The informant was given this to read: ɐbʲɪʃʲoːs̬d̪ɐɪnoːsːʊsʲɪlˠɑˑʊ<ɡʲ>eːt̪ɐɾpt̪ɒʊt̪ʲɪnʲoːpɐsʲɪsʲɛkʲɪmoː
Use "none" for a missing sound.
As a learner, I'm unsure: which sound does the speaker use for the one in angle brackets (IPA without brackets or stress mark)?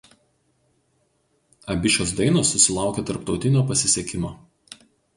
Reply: kʲ